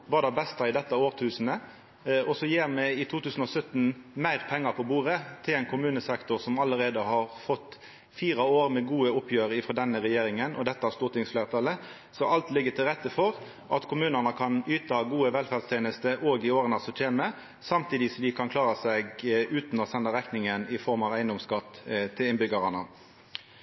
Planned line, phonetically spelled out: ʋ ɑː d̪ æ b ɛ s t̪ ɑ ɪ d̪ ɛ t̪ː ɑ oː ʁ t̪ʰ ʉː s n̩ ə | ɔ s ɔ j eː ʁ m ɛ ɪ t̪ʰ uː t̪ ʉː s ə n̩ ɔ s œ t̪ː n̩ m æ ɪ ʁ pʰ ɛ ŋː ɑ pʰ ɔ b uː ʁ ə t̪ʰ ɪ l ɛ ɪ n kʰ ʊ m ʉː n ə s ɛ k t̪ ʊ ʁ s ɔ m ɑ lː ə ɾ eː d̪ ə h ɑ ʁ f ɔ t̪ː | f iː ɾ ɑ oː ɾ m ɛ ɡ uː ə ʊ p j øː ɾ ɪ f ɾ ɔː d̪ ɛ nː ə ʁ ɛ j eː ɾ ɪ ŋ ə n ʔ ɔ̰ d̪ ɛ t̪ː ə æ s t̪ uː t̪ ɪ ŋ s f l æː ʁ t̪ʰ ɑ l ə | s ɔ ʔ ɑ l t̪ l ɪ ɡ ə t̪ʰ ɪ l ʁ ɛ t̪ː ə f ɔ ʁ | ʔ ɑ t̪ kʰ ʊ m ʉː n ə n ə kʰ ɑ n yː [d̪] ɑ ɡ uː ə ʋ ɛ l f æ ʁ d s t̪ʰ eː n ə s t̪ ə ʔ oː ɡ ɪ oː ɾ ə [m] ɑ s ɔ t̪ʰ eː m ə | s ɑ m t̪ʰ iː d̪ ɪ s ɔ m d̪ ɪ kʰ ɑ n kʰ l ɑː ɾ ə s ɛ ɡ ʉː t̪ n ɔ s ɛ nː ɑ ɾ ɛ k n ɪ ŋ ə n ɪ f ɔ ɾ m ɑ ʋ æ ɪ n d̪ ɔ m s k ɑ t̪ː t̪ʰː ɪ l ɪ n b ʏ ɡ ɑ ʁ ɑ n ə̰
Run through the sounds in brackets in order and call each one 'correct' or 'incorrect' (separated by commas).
incorrect, incorrect